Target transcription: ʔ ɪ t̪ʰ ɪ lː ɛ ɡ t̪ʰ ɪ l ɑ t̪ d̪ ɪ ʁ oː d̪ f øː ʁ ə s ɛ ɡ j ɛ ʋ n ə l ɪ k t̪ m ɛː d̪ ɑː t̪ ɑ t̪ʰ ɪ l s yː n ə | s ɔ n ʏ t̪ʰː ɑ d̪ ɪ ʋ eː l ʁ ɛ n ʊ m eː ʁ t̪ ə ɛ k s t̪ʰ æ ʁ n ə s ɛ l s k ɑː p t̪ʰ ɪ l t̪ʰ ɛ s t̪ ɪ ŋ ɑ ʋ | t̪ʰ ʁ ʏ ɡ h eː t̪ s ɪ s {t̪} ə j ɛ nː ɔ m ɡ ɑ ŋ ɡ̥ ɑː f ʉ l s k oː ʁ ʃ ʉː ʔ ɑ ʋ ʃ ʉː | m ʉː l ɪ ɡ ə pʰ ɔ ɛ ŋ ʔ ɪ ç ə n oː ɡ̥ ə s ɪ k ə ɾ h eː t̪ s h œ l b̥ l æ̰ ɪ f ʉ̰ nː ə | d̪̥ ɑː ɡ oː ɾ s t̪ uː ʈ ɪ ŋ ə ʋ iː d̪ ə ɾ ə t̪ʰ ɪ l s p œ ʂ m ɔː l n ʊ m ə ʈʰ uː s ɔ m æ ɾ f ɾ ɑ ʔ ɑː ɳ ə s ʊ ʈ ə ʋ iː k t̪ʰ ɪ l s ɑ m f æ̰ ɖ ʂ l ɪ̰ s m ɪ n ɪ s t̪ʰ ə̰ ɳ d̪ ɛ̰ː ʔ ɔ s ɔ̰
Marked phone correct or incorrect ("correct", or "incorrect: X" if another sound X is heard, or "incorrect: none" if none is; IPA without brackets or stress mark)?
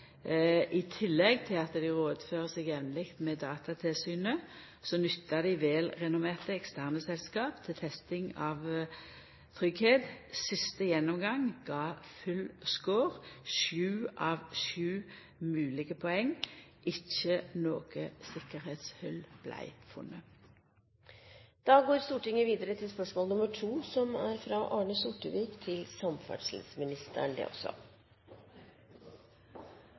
correct